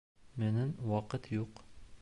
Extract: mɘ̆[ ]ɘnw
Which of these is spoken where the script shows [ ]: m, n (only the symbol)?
n